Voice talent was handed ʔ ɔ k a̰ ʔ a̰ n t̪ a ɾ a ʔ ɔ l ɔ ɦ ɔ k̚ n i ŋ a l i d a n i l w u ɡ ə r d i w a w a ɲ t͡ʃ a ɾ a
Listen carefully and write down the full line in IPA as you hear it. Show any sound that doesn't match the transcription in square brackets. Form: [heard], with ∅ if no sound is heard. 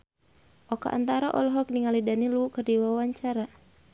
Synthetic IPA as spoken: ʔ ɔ k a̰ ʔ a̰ n t̪ a ɾ a ʔ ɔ l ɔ ɦ ɔ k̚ n i ŋ a l i d a n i l [u] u [k] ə r d i w a w a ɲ t͡ʃ a ɾ a